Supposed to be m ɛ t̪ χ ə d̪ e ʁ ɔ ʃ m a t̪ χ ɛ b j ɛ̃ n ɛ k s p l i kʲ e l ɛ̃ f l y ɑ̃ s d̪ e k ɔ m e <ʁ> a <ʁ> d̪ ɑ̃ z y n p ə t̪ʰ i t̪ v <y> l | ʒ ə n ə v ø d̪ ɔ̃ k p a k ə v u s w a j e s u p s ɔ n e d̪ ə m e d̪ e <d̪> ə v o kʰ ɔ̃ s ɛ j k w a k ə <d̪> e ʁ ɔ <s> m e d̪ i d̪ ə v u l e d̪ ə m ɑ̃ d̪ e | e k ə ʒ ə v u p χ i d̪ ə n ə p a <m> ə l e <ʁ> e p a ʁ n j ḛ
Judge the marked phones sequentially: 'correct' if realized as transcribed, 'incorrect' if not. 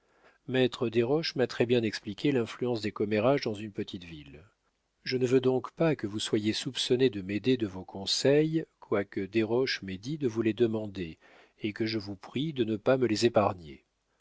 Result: correct, incorrect, incorrect, correct, correct, incorrect, correct, incorrect

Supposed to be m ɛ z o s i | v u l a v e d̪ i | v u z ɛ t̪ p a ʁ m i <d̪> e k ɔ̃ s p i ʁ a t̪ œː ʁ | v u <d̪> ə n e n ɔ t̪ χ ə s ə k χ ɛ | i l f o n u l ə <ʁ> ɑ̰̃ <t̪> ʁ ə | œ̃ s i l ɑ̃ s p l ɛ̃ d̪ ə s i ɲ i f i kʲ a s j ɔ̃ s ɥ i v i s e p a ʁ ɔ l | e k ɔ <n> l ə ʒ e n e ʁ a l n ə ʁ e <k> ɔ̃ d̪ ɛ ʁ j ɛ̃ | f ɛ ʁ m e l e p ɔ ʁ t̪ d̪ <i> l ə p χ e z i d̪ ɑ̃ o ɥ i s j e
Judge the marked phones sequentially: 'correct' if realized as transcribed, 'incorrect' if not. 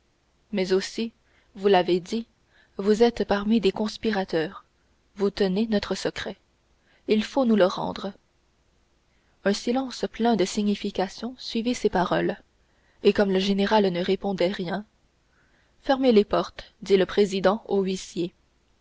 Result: correct, incorrect, correct, incorrect, incorrect, incorrect, correct

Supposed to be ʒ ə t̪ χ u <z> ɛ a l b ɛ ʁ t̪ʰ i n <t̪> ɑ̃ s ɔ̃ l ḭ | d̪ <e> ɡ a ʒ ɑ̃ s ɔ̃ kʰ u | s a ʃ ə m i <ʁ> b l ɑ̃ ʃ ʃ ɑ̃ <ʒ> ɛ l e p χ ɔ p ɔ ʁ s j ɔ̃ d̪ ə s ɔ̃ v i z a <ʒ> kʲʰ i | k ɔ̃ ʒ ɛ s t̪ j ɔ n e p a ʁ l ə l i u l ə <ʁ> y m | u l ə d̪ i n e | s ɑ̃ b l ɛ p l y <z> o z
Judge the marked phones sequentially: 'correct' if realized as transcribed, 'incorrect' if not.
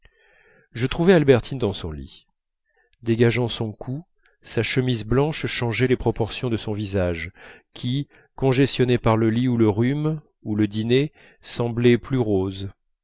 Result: incorrect, incorrect, correct, incorrect, correct, correct, correct, incorrect

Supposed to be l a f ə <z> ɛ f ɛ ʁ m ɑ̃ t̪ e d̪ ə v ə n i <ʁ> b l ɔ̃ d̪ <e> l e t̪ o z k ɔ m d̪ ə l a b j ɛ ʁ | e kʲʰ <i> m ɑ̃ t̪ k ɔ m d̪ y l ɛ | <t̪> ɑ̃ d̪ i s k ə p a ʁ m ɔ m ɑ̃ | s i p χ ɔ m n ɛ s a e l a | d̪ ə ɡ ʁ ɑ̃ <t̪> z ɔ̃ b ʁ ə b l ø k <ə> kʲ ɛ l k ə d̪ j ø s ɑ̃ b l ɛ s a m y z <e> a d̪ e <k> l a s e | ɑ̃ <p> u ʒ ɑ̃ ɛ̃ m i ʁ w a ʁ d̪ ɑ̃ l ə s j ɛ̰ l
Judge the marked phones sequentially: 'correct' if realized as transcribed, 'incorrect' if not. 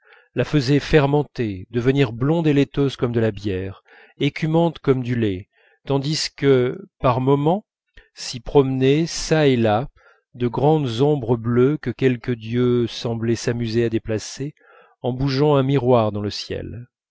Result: correct, correct, correct, incorrect, correct, incorrect, correct, correct, incorrect, incorrect

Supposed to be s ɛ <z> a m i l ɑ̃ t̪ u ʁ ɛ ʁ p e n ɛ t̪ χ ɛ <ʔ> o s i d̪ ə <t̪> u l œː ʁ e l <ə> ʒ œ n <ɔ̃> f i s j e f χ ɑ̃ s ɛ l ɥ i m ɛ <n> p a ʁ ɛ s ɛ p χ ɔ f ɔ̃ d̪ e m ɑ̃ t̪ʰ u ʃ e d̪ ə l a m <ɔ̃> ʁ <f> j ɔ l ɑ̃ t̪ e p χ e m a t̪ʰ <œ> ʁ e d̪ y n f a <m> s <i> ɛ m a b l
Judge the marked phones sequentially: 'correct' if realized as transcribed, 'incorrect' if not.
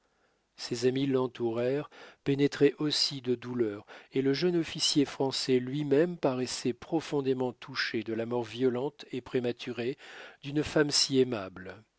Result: correct, correct, incorrect, correct, incorrect, incorrect, incorrect, incorrect, incorrect, correct, correct

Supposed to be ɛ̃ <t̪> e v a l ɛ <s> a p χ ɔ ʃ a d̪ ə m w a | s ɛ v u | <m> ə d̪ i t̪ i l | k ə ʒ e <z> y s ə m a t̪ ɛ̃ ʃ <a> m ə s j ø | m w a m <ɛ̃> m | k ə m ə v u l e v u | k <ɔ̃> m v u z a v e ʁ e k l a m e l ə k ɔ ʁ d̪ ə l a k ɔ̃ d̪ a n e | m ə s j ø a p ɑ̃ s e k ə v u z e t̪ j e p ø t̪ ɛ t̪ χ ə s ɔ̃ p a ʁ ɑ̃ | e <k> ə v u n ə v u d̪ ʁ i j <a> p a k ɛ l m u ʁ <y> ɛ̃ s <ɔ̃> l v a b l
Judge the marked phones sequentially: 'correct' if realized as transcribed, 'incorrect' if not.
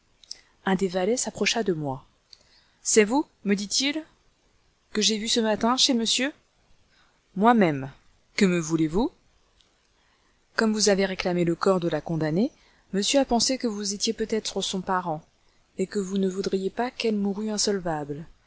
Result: incorrect, correct, correct, incorrect, incorrect, incorrect, incorrect, correct, incorrect, correct, incorrect

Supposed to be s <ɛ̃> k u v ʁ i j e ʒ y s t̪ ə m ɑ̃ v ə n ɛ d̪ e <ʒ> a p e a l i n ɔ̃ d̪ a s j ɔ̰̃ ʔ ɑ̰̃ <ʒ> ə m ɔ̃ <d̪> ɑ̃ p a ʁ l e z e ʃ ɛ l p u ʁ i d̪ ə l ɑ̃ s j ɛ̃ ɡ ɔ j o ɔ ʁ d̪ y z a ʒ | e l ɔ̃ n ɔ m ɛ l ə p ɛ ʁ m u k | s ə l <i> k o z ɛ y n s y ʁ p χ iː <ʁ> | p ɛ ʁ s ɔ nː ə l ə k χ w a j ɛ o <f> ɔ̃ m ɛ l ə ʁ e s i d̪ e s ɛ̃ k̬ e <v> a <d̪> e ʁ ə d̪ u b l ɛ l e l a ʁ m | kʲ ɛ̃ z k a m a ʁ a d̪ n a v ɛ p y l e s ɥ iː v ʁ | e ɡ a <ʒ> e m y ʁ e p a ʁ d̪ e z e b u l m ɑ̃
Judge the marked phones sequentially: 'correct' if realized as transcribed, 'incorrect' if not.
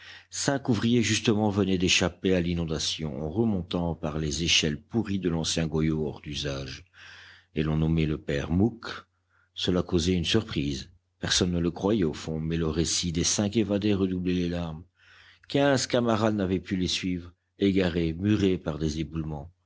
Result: correct, incorrect, incorrect, incorrect, incorrect, incorrect, correct, correct, correct, incorrect

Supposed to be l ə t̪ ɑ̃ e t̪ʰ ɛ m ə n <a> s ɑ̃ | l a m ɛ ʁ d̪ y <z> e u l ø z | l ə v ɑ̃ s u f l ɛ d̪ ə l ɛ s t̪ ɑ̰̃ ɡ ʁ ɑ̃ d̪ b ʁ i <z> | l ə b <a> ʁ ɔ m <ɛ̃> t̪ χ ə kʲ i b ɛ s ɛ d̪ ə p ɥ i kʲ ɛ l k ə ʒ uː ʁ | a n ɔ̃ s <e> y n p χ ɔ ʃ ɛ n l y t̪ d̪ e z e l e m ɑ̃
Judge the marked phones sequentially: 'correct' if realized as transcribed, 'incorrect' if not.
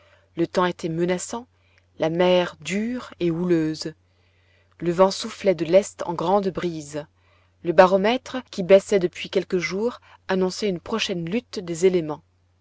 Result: correct, incorrect, correct, correct, incorrect, incorrect

